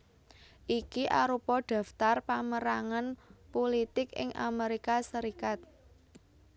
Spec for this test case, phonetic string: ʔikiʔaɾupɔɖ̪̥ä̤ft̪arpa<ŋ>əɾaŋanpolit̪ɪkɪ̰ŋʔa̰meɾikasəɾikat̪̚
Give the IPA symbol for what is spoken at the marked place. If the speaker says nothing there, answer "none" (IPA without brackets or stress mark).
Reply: m